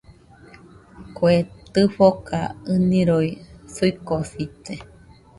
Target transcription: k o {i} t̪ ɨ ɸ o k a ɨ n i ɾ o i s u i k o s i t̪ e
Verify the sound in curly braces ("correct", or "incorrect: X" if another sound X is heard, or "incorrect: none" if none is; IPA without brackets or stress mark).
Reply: incorrect: e